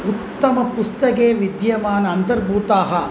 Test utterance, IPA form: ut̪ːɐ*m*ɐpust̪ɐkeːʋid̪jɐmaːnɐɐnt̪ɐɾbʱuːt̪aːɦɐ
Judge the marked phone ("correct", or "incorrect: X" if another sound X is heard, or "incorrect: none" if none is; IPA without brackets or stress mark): correct